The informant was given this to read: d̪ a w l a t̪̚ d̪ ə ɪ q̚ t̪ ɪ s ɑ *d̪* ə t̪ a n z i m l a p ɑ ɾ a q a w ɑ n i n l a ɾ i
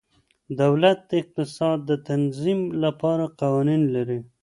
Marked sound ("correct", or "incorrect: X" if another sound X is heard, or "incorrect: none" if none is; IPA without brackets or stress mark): incorrect: d̪ː